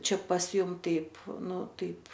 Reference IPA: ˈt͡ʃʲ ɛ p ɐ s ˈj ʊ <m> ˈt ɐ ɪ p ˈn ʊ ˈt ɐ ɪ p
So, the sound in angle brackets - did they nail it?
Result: yes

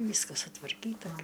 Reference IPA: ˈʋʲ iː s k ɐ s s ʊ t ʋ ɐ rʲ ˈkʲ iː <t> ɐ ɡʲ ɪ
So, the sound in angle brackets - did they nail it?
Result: yes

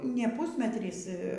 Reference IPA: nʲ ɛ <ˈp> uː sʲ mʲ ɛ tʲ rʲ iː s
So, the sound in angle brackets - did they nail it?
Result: yes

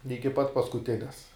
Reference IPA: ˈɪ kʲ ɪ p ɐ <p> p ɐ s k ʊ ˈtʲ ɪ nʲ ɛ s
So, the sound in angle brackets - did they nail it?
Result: no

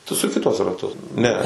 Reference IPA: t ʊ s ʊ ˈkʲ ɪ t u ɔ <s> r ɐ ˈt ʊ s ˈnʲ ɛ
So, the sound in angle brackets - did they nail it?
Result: yes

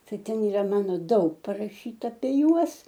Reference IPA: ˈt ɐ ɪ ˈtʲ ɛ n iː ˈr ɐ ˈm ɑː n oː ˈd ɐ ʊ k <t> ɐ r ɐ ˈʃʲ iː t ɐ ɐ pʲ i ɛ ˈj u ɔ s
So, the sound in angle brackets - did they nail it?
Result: no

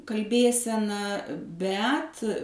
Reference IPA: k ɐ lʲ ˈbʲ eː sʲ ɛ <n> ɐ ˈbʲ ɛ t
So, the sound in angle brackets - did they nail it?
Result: yes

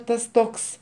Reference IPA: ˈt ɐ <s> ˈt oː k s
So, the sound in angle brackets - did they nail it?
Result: yes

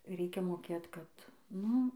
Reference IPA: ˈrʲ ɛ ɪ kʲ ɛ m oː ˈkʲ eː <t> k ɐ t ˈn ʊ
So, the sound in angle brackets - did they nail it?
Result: yes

